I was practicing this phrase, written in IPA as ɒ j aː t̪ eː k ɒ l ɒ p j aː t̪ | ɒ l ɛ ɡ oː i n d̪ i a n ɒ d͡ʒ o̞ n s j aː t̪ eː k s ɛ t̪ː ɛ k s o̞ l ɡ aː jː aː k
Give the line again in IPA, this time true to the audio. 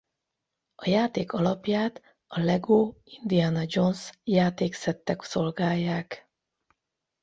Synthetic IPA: ɒ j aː t̪ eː k ɒ l ɒ p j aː t̪ | ɒ l ɛ ɡ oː i n d̪ i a n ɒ d͡ʒ o̞ n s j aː t̪ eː k s ɛ t̪ː ɛ k s o̞ l ɡ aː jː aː k